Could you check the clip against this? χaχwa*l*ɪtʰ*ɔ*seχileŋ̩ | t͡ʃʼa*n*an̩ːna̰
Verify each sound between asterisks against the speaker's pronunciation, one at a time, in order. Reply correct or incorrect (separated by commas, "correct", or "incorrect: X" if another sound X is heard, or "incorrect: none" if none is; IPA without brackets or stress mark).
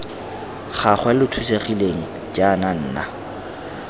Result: correct, incorrect: u, correct